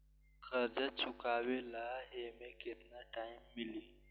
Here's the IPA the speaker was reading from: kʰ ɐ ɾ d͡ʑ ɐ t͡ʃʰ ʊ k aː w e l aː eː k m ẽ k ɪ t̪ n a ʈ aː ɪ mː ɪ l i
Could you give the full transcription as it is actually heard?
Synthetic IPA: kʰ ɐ ɾ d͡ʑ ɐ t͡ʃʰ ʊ k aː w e l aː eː m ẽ k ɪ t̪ n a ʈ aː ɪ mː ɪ l i

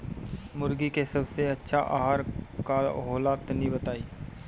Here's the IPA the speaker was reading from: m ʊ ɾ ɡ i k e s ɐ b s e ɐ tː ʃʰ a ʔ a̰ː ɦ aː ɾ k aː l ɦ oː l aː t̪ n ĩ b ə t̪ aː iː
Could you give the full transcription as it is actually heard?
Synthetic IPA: m ʊ ɾ ɡ i k e s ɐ b s e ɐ tː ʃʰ a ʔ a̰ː ɦ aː ɾ k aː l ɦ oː l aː t̪ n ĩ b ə t̪ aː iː

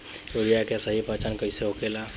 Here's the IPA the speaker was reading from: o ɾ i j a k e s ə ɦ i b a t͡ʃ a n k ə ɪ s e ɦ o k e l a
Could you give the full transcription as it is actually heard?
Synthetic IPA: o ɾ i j a k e s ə ɦ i p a t͡ʃ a n k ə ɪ s e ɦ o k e l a

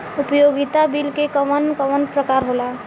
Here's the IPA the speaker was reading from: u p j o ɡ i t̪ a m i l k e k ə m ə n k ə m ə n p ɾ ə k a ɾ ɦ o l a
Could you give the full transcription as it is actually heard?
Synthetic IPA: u p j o ɡ i t̪ a b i l k e k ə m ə n k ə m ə n p ɾ ə k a ɾ ɦ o l a

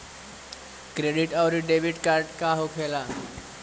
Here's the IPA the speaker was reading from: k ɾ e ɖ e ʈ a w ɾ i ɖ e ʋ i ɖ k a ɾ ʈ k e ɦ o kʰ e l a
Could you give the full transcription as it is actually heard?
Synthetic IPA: k ɾ e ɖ i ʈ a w ɾ i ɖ e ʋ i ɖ k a ɾ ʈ k a ɦ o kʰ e l a

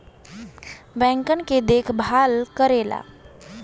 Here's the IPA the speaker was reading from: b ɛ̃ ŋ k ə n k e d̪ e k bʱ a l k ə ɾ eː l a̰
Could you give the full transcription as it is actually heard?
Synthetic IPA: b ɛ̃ ŋ k ə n k e d̪ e kʰ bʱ a l k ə ɾ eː l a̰

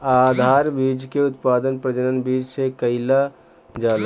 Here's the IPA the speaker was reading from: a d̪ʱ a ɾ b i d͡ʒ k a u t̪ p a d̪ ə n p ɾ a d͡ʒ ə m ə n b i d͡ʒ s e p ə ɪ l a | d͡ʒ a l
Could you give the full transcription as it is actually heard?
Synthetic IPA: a d̪ʱ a ɾ b i d͡ʒ k e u t̪ p a d̪ ə n p ɾ ə d͡ʒ ə n ə n b i d͡ʒ s e k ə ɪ l a | d͡ʒ a l

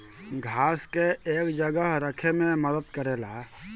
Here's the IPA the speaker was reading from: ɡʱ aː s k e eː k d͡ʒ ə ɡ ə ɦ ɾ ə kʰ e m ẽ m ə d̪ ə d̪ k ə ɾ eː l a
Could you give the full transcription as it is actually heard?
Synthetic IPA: ɡʱ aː s k e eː k d͡ʒ ə ɡ ə ɦ ɾ ə kʰ e m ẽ m ə d̪ ə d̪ k ə ɾ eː l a

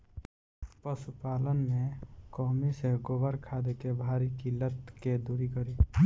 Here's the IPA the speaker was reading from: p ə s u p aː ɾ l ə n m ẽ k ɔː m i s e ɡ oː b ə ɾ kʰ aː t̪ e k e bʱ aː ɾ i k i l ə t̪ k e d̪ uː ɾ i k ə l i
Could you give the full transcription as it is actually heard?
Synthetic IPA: p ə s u p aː l ə n m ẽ k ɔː m i s e ɡ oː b ə ɾ kʰ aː d̪ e k e bʱ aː ɾ i k i l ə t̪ k e d̪ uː ɾ i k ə ɾ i

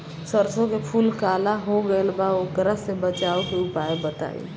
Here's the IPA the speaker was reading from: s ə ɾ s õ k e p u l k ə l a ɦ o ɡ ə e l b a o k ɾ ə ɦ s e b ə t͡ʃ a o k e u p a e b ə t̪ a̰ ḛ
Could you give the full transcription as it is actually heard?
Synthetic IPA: s ə ɾ s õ k e pʰ u l k a l a ɦ o ɡ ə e l b a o k ɾ ə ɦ s e b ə t͡ʃ a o k e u p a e b ə t̪ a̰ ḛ

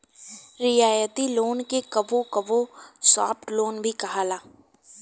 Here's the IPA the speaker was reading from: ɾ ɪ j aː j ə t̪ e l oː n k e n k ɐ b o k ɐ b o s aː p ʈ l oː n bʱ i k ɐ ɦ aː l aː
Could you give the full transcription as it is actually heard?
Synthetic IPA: ɾ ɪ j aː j ə t̪ i l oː n k e k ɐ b o k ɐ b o s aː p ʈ l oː n bʱ i k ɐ ɦ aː l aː

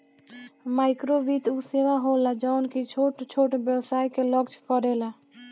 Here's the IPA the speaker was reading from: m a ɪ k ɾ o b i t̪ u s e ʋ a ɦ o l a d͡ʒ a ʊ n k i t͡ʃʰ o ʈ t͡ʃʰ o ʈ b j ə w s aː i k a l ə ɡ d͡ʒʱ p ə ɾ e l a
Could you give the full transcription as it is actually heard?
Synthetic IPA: m a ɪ k ɾ o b i t̪ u s e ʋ a ɦ o l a d͡ʒ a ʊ n k i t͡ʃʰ o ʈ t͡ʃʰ o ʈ b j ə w s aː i k e l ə ɡ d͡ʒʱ k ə ɾ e l a

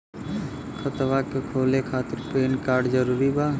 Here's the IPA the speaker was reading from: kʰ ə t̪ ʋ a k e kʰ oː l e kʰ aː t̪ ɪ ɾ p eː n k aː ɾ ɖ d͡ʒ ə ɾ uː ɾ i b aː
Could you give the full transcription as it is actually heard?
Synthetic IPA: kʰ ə t̪ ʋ a k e kʰ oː l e kʰ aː t̪ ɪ ɾ p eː n k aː ɾ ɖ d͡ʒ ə ɾ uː ɾ i b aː

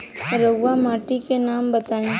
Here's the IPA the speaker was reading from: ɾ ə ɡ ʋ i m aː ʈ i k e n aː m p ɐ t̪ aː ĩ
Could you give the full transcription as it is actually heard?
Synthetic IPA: ɾ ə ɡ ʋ a m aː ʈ i k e n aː m b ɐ t̪ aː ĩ

